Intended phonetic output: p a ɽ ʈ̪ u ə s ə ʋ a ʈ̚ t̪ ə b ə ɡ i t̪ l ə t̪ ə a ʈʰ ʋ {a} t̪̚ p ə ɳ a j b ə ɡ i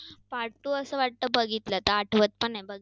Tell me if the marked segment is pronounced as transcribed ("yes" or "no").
no